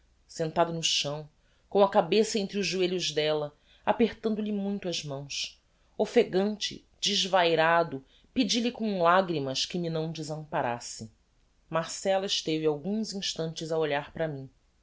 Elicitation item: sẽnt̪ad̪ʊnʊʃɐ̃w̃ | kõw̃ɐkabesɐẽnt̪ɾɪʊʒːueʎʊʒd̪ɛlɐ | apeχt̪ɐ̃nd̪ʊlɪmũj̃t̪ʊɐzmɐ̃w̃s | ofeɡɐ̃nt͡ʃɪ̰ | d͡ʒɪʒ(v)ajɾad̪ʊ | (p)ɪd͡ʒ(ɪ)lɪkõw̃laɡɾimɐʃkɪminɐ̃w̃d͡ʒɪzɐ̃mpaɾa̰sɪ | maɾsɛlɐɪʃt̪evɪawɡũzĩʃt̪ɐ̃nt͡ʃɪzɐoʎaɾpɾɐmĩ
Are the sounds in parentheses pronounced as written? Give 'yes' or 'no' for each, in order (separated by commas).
yes, yes, no